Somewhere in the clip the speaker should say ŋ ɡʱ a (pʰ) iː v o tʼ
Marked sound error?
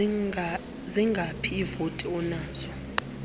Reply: no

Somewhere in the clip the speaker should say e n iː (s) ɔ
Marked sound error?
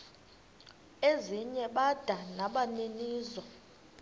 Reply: yes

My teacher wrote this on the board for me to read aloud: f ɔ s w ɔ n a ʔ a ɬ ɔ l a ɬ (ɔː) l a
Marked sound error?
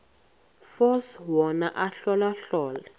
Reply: no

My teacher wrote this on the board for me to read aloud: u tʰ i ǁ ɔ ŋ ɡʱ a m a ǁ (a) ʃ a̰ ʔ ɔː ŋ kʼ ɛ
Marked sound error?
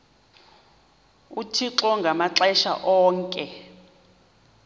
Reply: yes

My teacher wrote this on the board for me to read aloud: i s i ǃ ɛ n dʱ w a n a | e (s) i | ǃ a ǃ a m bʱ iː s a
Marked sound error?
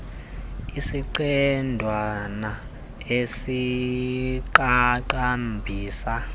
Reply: no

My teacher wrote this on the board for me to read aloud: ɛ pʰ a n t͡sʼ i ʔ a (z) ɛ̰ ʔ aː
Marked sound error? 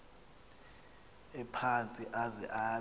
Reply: no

